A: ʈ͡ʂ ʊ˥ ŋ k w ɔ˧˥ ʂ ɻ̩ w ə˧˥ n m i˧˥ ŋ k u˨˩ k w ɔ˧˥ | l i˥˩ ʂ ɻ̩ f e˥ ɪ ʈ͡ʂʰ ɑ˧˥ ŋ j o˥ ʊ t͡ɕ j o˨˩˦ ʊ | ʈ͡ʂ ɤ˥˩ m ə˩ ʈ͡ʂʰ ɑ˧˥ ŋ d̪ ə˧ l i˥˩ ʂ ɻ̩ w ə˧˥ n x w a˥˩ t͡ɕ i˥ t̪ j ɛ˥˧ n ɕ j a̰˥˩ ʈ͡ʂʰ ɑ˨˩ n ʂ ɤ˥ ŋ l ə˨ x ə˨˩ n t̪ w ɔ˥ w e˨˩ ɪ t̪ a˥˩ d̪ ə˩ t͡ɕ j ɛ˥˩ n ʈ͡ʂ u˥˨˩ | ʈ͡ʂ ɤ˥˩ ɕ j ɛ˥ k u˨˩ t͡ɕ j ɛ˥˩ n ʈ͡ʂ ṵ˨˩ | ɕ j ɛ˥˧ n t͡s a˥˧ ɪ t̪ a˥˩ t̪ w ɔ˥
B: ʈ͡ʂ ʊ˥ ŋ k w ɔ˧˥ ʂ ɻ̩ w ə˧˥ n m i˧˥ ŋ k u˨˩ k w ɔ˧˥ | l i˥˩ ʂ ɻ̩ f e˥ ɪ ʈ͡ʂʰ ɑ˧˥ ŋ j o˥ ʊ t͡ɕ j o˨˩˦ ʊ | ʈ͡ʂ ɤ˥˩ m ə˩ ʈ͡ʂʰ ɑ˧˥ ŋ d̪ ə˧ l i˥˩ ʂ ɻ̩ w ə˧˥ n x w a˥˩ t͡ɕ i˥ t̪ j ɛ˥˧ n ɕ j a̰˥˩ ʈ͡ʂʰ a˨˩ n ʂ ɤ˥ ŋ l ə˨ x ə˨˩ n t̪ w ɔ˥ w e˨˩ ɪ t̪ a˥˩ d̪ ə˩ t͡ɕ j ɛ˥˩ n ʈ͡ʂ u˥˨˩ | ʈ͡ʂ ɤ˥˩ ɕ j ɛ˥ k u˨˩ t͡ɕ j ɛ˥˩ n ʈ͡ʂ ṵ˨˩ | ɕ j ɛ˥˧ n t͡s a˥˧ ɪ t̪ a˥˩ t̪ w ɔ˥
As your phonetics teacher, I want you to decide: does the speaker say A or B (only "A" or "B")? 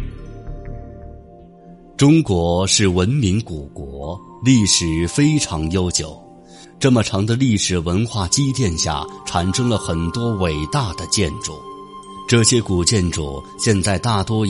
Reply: B